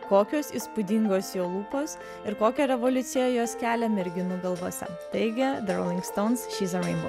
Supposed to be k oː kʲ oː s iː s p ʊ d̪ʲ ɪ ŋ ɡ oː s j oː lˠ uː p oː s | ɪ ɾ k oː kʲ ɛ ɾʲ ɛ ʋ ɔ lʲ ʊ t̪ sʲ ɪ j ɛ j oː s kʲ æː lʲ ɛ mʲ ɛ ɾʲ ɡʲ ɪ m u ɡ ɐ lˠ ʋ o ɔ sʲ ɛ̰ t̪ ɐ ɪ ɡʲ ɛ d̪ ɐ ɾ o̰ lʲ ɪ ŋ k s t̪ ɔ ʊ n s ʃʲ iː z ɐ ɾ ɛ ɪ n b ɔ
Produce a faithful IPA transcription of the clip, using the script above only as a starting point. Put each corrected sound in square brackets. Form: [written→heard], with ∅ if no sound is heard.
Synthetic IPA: k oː kʲ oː s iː s p ʊ d̪ʲ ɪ ŋ ɡ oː s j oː lˠ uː p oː s | ɪ ɾ k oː kʲ ɛ ɾʲ ɛ ʋ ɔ lʲ ʊ t̪ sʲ ɪ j ɛ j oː s kʲ æː lʲ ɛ mʲ ɛ ɾʲ ɡʲ ɪ [m→n] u ɡ ɐ lˠ ʋ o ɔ sʲ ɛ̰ t̪ ɐ ɪ ɡʲ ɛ d̪ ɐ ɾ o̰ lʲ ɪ ŋ k s t̪ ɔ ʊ n s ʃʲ iː z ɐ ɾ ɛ ɪ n b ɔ